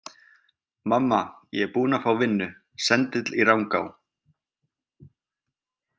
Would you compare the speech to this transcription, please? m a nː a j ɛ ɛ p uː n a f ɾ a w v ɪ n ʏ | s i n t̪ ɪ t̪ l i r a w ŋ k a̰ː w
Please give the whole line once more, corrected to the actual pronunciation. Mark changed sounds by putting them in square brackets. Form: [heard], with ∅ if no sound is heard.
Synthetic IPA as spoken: m a [mː] a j ɛ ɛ p uː n a f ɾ a w v ɪ [nː] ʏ | s [ɛ] n t̪ ɪ t̪ l i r a w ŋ k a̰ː w